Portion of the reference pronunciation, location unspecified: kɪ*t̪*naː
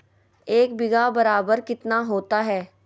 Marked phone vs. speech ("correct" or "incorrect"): correct